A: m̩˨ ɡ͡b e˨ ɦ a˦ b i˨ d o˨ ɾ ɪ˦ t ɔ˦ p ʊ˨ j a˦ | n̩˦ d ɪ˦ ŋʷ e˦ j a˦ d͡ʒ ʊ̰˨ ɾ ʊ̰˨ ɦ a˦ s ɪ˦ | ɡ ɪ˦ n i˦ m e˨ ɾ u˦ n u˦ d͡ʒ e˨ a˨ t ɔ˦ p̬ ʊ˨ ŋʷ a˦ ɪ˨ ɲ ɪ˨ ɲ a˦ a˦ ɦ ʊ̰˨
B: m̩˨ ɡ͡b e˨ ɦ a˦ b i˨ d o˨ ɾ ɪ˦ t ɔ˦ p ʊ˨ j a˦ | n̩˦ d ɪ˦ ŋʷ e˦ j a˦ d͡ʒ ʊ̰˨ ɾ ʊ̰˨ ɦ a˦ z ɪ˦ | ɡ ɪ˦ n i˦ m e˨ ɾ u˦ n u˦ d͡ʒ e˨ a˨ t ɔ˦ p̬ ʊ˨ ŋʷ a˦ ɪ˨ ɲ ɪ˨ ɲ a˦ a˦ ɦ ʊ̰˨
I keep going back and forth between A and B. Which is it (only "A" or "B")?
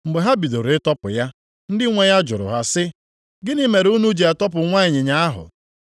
A